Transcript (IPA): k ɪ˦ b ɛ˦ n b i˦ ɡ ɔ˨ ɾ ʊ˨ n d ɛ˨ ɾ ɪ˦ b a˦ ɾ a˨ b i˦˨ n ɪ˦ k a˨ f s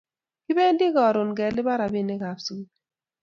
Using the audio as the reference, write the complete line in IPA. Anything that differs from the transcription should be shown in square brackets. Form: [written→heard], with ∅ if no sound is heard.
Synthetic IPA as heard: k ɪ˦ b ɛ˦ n [b→d] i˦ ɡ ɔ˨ ɾ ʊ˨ n [d→ɡ] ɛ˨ [ɾ→l] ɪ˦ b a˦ ɾ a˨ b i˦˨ n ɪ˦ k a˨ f s